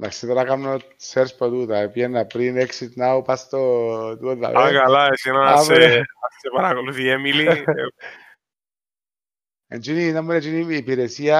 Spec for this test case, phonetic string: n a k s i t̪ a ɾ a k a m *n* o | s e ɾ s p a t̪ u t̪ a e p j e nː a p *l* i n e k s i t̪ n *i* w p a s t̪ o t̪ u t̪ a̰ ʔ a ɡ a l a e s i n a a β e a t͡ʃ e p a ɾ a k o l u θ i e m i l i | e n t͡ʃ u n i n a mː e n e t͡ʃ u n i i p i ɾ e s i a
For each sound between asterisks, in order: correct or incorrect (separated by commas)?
correct, incorrect, incorrect